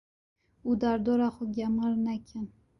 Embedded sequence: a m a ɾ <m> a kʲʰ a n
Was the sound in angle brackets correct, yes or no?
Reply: no